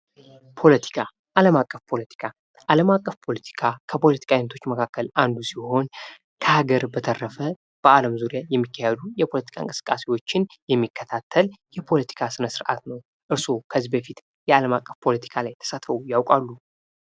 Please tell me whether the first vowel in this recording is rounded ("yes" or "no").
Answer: yes